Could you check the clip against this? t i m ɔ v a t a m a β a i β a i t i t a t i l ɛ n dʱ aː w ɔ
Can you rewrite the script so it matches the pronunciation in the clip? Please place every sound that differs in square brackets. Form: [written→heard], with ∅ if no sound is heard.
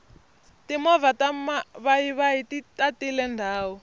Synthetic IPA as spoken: t i m ɔ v a t a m a β a i β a i t i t a t i l ɛ n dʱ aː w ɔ